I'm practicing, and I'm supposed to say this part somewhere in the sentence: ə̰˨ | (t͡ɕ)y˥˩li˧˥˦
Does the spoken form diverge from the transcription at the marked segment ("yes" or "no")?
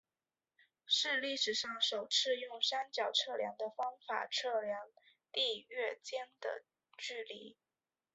no